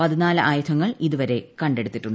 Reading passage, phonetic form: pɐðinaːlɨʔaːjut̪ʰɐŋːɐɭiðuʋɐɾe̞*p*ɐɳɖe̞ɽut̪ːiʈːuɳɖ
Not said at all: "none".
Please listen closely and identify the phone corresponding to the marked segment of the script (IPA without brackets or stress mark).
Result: k